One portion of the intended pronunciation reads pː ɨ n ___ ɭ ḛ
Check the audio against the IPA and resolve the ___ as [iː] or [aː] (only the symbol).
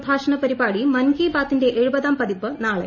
aː